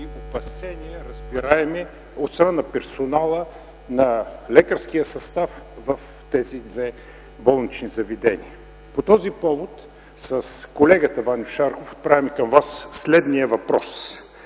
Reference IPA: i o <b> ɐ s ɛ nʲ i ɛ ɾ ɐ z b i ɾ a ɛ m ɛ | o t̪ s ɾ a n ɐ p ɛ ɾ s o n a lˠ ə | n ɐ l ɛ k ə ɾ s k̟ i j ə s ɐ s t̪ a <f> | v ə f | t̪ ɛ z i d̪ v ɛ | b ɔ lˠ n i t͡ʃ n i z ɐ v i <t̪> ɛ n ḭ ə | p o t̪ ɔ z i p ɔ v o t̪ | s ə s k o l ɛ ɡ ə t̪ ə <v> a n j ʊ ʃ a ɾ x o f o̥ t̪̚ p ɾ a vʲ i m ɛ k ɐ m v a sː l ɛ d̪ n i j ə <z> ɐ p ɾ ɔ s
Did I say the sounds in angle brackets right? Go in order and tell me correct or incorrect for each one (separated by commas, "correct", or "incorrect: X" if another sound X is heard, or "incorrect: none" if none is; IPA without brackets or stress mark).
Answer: incorrect: p, correct, incorrect: d̪, correct, incorrect: v